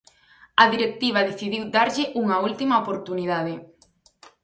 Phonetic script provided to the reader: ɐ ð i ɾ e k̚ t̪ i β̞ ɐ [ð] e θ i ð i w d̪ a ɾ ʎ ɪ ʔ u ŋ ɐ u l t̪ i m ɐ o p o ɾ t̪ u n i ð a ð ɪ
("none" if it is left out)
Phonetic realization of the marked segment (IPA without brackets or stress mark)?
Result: ð